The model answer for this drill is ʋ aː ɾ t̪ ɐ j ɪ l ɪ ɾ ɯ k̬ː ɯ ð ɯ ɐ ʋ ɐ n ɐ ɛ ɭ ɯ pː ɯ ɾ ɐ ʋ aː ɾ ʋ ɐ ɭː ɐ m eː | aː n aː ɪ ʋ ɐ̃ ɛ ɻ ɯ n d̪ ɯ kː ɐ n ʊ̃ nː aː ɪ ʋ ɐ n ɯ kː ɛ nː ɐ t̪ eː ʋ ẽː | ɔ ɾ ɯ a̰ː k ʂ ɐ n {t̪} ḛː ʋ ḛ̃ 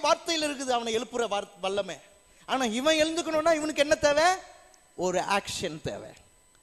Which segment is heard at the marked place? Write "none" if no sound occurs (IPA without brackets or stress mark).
t̪